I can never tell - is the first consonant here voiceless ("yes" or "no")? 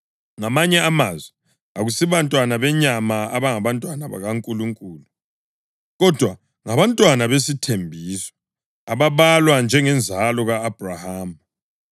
no